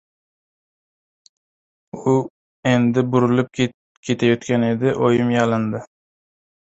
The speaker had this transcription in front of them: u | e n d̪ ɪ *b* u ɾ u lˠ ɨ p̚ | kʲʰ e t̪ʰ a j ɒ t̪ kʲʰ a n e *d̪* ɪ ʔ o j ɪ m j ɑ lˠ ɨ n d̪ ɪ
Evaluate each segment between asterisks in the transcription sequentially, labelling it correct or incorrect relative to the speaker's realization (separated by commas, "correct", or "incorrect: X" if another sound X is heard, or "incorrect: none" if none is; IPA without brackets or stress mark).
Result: correct, correct